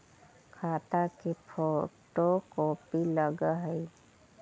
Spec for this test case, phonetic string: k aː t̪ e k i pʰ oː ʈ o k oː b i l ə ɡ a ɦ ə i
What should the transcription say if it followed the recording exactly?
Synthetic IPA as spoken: kʰ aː t̪ a k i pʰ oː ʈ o k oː p i l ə ɡ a ɦ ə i